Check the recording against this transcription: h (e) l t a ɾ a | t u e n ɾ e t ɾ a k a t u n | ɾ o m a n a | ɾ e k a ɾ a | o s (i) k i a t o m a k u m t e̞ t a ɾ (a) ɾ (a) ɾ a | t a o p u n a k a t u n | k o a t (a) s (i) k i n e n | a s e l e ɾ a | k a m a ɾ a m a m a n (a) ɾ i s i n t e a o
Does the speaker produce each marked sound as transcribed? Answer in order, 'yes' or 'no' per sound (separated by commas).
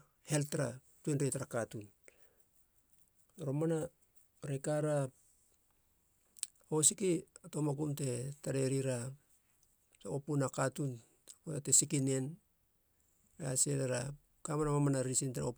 yes, yes, no, no, no, yes, yes